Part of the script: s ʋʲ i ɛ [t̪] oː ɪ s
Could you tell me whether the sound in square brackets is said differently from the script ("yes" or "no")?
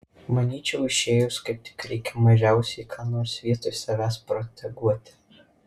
no